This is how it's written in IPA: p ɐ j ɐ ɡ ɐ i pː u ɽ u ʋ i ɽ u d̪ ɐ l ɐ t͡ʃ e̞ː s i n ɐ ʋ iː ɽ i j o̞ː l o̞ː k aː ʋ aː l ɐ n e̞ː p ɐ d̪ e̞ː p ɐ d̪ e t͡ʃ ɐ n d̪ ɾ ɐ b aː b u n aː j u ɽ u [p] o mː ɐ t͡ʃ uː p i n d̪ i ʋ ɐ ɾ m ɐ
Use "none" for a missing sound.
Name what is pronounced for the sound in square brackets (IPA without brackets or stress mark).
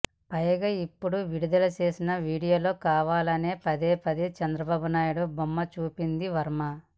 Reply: b